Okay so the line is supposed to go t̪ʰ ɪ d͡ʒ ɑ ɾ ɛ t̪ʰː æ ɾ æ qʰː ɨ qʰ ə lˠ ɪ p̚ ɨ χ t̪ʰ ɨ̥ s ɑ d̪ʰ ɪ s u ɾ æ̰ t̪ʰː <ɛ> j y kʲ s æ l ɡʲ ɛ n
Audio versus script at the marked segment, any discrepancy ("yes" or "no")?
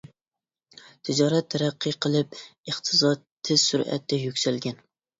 no